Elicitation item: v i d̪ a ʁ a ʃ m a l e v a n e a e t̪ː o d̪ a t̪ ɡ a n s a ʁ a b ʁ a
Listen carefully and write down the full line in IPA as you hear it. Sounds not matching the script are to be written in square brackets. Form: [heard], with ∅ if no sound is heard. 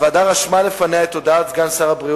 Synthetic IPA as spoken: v [a] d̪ a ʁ a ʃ m a l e [f] a n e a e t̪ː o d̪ a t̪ ɡ a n s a ʁ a b ʁ [i]